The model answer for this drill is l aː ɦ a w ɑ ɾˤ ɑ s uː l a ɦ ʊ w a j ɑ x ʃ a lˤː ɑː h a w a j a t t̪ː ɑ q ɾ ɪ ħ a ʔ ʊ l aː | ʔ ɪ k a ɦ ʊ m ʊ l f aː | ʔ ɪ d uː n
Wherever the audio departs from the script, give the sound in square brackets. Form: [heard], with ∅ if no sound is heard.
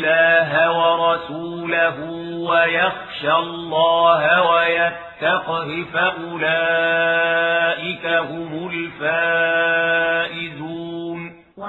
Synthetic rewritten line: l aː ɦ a w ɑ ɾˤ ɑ s uː l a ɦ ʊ w a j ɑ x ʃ a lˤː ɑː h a w a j a t t̪ː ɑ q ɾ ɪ [f] a ʔ ʊ l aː | ʔ ɪ k a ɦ ʊ m ʊ l f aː | ʔ ɪ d uː n